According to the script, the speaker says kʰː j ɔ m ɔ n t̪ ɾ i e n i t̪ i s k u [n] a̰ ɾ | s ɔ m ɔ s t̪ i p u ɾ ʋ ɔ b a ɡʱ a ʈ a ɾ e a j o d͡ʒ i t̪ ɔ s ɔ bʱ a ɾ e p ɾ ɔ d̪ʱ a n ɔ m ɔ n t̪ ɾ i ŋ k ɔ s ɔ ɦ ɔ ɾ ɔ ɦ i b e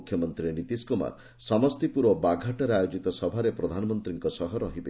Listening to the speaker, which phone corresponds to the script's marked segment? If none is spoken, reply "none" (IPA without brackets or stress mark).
m